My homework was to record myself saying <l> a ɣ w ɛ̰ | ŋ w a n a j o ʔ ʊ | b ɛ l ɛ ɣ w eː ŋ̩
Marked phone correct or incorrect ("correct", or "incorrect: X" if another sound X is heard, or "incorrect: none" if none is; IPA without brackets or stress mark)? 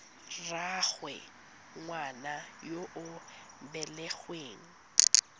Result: incorrect: r